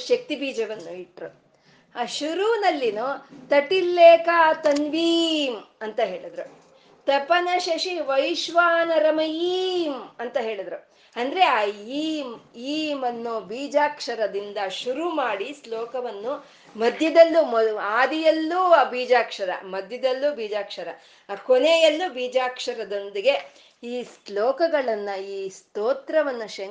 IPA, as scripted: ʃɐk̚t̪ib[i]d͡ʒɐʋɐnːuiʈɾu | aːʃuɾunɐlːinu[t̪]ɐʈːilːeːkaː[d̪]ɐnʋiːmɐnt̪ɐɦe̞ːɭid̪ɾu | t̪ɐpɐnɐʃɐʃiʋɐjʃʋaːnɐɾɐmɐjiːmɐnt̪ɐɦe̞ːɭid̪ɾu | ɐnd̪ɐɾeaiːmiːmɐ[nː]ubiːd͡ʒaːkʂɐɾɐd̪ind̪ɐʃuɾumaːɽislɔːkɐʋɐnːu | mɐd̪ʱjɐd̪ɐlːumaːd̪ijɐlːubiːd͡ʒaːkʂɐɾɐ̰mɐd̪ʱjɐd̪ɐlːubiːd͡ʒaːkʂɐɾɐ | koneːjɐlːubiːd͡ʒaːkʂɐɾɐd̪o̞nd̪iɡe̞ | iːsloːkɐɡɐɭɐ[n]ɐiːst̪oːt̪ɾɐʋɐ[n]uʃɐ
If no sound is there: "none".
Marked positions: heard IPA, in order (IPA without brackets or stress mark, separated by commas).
iː, t̪, t̪, nː, nː, nː